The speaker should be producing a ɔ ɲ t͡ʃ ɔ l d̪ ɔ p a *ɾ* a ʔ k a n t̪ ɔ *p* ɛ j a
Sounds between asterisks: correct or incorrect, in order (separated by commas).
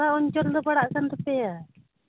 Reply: incorrect, correct